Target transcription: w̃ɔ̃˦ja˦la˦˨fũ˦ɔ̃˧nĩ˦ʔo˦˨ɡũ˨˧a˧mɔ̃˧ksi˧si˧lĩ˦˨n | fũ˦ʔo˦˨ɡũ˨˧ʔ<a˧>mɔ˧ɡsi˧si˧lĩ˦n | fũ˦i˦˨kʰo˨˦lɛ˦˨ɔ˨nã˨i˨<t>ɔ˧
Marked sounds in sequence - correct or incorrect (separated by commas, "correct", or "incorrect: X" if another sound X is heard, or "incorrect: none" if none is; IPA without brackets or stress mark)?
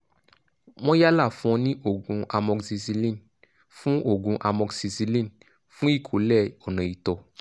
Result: correct, correct